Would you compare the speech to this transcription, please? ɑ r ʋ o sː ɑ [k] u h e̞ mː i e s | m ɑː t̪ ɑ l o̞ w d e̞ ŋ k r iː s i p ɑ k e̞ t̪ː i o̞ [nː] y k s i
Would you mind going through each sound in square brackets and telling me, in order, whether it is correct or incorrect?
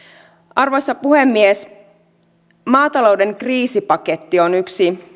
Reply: incorrect: p, incorrect: n

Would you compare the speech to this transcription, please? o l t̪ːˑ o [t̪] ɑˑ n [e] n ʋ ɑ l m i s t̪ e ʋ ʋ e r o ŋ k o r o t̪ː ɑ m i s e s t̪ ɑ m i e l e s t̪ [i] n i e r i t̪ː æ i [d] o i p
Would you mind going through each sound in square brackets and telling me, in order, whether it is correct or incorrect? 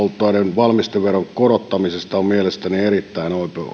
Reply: incorrect: none, correct, incorrect: æ, incorrect: n

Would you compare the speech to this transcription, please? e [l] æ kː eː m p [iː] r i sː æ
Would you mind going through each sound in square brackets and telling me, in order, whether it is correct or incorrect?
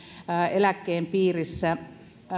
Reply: correct, correct

